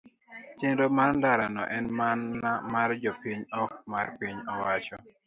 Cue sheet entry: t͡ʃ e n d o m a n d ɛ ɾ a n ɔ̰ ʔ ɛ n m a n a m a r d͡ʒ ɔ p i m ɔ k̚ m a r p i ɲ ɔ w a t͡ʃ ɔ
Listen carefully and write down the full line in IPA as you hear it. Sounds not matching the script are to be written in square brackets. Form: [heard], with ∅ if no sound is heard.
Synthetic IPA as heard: t͡ʃ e n d o m a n d [a] ɾ a n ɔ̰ ʔ ɛ n m a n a m a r d͡ʒ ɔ p i [ɲ] ɔ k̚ m a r p i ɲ ɔ w a t͡ʃ ɔ